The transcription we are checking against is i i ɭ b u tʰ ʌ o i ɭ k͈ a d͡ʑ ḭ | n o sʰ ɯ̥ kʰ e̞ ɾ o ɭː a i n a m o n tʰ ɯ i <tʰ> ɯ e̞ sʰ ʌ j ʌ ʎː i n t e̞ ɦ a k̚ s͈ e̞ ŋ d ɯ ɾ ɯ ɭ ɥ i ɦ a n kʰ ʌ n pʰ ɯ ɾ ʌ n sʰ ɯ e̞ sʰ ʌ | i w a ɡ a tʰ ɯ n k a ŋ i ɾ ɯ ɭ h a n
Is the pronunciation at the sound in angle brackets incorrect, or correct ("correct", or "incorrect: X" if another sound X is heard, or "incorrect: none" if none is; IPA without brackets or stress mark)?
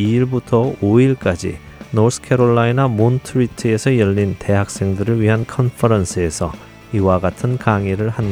correct